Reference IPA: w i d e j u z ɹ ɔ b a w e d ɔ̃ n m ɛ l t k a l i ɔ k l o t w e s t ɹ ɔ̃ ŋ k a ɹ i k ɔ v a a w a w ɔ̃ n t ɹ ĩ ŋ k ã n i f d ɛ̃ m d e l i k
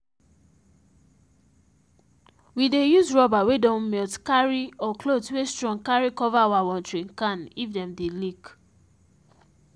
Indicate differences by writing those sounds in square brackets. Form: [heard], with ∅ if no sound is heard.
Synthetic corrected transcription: w i d e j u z ɹ ɔ b a w e d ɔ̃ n m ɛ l t k a [ɹ] i ɔ k l o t w e s t ɹ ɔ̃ ŋ k a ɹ i k ɔ v a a w a w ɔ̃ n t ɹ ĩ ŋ k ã n i f d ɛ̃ m d e l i k